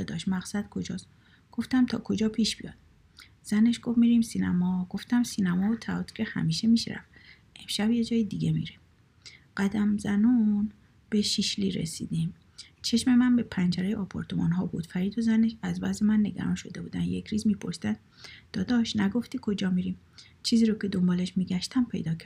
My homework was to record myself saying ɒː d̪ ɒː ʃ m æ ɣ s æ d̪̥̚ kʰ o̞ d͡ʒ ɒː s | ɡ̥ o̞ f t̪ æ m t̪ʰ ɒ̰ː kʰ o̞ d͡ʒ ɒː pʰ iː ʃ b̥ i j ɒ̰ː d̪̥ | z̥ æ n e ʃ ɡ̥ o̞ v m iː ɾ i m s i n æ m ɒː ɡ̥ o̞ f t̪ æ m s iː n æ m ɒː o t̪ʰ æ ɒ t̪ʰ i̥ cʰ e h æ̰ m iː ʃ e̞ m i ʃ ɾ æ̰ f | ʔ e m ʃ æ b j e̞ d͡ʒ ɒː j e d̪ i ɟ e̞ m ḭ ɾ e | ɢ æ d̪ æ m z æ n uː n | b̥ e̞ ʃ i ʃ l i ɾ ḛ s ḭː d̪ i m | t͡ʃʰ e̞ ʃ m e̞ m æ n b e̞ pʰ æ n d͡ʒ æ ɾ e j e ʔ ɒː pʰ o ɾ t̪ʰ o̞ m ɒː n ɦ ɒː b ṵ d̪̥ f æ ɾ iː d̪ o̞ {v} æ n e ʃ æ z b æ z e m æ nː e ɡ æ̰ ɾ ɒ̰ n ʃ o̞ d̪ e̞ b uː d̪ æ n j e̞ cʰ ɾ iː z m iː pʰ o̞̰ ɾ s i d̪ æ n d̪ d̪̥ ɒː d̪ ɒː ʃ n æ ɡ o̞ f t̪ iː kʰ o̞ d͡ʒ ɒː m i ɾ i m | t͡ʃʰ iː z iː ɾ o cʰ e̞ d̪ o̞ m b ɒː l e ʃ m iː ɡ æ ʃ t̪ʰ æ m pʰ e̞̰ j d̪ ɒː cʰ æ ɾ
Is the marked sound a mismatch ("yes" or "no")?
yes